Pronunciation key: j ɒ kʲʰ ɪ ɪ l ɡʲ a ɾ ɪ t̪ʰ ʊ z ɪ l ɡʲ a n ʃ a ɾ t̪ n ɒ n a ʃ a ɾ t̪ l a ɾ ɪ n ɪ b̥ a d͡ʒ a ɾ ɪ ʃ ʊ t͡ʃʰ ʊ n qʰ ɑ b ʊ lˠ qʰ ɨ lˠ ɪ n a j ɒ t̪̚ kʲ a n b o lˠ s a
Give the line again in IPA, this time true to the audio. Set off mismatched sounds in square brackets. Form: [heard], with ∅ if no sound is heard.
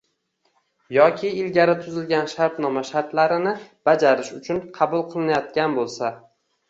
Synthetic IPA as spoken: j ɒ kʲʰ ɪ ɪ l ɡʲ a ɾ ɪ t̪ʰ ʊ z ɪ l ɡʲ a n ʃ a ɾ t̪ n ɒ [m] a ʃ a ɾ t̪ l a ɾ ɪ n ɪ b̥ a d͡ʒ a ɾ ɪ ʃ ʊ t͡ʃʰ ʊ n qʰ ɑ b ʊ lˠ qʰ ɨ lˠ ɪ n a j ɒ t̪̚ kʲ a n b o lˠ s a